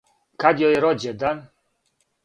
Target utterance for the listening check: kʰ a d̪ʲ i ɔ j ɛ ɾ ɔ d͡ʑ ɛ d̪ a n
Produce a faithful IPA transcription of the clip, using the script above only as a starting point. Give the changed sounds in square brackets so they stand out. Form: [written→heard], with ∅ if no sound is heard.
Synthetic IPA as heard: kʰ a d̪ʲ [i→j] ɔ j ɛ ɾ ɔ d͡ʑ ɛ d̪ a n